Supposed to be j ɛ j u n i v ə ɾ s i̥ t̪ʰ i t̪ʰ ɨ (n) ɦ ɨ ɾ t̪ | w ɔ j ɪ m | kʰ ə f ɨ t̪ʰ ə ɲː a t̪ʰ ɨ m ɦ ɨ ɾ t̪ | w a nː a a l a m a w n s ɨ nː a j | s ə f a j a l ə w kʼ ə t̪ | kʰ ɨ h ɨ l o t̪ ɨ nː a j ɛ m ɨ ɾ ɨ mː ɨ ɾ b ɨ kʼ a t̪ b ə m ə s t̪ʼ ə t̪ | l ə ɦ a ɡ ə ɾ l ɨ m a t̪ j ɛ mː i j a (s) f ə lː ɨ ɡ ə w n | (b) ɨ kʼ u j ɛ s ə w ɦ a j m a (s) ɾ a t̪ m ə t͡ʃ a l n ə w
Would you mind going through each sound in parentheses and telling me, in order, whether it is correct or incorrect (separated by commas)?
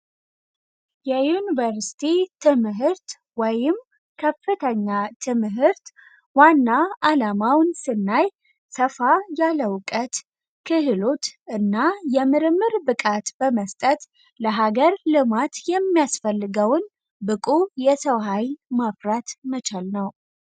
incorrect, correct, correct, incorrect